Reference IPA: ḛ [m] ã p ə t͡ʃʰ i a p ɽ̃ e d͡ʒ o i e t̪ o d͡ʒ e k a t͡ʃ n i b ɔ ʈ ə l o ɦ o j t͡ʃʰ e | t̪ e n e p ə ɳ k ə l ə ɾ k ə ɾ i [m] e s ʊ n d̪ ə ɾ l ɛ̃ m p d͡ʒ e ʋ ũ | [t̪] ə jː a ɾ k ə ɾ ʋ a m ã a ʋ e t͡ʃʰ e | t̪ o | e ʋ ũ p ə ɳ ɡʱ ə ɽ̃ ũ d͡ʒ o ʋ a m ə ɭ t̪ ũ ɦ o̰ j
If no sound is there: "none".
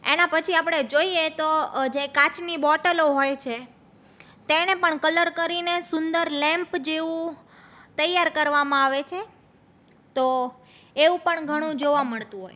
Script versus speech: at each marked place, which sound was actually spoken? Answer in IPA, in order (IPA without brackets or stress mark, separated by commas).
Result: n, n, t̪